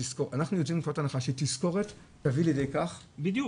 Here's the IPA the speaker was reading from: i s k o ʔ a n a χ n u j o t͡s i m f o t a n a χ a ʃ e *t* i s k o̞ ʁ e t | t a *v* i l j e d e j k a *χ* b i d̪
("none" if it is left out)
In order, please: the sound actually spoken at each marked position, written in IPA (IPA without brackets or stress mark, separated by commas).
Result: t, v, χ